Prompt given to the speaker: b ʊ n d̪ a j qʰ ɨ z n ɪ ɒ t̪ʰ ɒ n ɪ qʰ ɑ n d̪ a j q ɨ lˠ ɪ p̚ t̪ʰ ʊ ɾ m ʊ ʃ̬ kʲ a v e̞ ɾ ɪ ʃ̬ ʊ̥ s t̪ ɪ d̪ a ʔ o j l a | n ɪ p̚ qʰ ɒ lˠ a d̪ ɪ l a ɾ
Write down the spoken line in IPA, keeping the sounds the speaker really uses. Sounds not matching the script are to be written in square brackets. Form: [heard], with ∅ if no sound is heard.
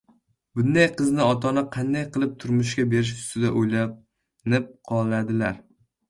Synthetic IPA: b ʊ n d̪ a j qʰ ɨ z n ɪ ɒ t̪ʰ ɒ n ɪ qʰ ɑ n d̪ a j q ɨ lˠ ɪ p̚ t̪ʰ ʊ ɾ m ʊ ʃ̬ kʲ a [b] e̞ ɾ ɪ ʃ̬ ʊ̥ s t̪ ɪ d̪ a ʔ o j l a | n ɪ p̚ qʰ ɒ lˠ a d̪ ɪ l a ɾ